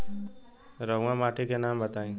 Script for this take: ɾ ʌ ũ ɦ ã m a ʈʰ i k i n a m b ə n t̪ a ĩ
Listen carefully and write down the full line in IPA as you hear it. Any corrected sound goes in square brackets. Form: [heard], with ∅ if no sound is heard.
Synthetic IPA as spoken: ɾ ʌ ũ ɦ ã m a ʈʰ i k [e] n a m b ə [∅] t̪ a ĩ